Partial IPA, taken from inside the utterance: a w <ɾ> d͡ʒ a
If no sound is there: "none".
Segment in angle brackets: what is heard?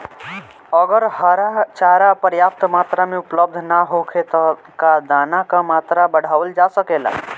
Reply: l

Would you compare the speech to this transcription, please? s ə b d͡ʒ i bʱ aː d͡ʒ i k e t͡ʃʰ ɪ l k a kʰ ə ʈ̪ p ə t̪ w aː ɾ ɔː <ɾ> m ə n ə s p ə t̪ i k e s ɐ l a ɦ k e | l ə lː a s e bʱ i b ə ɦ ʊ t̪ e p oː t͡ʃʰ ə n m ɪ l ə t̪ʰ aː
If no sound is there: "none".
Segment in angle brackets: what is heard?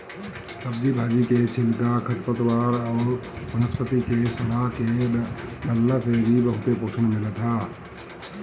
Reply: ɾ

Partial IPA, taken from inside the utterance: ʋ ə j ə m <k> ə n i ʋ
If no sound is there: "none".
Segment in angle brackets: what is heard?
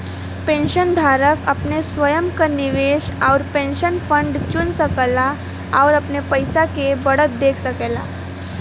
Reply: k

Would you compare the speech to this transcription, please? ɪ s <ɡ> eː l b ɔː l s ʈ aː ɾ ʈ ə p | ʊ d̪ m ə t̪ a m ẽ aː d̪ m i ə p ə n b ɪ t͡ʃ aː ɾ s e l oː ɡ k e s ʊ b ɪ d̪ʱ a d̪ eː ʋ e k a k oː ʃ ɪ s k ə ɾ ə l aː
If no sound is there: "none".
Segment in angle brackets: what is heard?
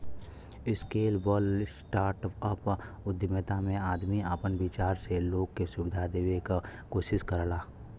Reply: k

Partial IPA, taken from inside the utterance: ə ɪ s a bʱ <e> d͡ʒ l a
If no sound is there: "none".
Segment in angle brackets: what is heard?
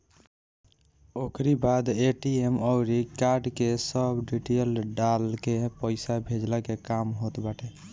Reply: e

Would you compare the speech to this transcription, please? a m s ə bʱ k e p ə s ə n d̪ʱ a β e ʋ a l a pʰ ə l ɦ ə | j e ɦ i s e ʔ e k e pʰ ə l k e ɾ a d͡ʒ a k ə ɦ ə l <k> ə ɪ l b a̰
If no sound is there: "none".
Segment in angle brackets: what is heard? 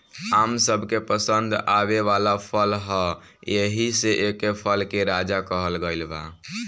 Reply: ɡ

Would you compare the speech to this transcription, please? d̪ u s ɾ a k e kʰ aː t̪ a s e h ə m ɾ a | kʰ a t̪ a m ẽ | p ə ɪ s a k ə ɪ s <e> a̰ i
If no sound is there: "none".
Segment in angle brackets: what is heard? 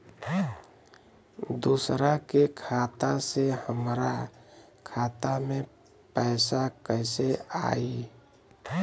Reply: e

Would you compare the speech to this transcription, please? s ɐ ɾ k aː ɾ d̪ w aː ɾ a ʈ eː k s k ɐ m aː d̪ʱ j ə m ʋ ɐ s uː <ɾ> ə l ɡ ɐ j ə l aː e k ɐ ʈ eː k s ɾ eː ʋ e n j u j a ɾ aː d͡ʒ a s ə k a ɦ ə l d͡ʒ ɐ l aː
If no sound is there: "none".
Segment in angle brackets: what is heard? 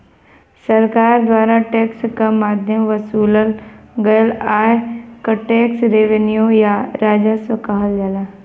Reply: l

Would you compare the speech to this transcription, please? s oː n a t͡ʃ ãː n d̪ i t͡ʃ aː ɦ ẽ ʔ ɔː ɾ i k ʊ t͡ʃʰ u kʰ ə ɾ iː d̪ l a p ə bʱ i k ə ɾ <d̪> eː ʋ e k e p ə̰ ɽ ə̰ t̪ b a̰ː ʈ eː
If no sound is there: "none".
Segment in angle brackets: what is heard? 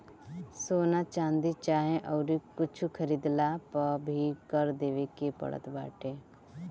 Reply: d̪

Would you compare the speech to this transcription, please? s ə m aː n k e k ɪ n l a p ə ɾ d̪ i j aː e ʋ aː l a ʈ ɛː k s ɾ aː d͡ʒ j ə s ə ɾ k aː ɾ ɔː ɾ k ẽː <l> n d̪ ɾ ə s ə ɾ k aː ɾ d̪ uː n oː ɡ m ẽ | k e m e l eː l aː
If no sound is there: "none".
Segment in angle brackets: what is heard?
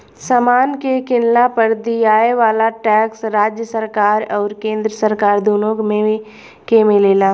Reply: none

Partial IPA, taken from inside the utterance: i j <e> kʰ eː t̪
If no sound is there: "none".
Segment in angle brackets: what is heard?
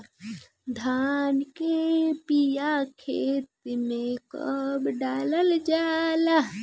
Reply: a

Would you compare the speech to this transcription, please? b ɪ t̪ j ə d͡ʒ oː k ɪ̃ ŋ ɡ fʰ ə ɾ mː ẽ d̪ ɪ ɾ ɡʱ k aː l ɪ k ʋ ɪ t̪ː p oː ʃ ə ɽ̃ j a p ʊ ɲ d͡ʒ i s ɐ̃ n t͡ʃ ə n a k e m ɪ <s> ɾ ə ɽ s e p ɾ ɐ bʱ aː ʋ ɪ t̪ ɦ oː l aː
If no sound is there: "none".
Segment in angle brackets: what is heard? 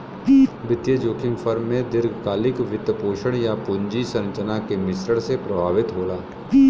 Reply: s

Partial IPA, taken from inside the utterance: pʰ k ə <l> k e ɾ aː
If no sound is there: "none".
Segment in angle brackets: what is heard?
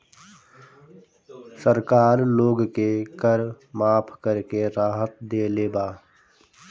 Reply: ɾ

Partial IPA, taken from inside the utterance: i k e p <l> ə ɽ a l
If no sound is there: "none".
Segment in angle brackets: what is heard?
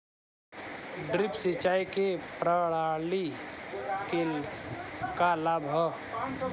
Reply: ɾ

